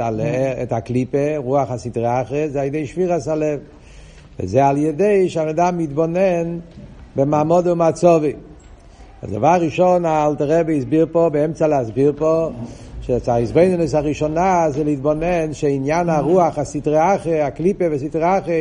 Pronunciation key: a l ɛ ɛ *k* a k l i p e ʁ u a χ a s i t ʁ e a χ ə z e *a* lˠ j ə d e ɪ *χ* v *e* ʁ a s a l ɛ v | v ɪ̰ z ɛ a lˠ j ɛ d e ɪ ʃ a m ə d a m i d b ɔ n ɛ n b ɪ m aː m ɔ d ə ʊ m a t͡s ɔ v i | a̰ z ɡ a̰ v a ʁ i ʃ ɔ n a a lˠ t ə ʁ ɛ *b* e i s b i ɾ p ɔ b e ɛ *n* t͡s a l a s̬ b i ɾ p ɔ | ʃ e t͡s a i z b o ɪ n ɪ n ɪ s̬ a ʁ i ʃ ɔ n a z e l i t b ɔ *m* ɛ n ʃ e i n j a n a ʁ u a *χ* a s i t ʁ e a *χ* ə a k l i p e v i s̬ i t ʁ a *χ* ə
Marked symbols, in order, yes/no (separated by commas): no, yes, no, no, yes, no, no, yes, yes, yes